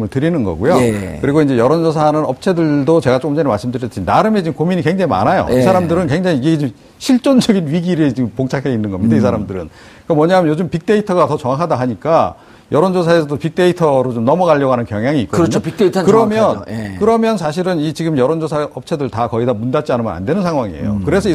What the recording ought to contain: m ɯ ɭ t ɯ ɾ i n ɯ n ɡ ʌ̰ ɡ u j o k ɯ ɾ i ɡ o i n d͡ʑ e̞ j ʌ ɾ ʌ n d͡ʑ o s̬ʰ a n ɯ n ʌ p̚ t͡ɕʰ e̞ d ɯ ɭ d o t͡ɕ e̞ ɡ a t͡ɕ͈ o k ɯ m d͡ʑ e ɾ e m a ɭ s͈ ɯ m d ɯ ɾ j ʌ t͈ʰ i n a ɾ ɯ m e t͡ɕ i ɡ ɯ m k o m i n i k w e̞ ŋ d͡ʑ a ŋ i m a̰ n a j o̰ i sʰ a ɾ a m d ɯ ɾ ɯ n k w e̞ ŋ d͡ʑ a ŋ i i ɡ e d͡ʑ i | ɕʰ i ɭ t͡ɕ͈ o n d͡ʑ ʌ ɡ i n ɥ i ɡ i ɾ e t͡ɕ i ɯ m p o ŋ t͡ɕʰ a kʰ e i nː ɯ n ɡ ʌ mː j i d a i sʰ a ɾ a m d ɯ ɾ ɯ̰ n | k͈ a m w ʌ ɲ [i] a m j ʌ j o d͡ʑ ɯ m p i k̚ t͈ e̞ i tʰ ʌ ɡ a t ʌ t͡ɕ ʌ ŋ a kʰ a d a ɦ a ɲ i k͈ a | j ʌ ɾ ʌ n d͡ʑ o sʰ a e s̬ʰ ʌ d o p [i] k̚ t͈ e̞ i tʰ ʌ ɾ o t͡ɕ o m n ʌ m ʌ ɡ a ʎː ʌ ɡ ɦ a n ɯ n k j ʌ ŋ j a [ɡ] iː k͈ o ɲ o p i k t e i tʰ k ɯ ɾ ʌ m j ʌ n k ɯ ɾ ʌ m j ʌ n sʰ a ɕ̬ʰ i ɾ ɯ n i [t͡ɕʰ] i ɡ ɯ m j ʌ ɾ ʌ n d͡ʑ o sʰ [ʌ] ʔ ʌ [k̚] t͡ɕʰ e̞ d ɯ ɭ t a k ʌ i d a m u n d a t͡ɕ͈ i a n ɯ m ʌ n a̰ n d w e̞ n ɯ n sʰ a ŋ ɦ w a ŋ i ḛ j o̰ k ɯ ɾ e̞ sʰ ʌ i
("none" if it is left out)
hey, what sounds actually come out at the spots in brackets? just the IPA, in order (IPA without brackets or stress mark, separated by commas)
a, i, ŋ, t͡ɕ, a, p̚